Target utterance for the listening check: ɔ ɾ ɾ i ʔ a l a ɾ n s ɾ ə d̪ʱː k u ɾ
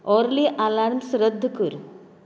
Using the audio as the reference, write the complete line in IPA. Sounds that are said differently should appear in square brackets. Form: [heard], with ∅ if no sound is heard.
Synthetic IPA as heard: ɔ ɾ [l] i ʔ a l a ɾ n s ɾ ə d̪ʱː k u ɾ

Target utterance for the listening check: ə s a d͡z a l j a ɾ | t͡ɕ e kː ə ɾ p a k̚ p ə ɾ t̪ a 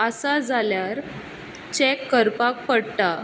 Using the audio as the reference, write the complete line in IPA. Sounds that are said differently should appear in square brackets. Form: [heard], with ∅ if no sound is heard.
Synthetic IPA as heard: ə s a d͡z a l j a ɾ | t͡ɕ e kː ə ɾ p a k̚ p ə [ɽ] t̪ a

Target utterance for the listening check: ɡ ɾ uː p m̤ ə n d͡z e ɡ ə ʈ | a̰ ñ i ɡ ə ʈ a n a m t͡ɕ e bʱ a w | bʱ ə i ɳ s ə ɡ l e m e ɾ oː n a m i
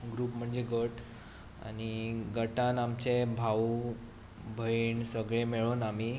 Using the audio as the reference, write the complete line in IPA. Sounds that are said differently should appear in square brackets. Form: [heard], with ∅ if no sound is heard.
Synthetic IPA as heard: ɡ ɾ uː p m̤ ə [ɳ] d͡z e ɡ ə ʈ | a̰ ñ i ɡ ə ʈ a n a m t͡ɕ e bʱ a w | bʱ ə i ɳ s ə ɡ [ɭ] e m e [ɭ] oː n a m i

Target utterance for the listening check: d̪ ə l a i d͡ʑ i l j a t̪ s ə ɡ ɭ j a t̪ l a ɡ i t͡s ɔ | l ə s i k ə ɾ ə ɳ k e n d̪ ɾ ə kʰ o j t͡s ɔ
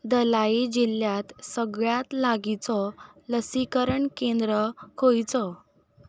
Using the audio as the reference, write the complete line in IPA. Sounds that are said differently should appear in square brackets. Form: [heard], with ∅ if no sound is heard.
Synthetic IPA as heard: d̪ ə l a i d͡ʑ i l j a t̪ s ə ɡ ɭ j a t̪ l a ɡ i t͡s ɔ | l ə s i k ə ɾ ə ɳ k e n d̪ ɾ ə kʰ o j t͡s ɔ

